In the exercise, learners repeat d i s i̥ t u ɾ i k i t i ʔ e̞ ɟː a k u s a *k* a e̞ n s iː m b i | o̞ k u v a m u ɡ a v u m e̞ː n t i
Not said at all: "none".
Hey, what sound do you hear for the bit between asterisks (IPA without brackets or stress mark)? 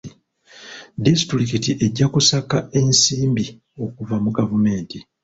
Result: k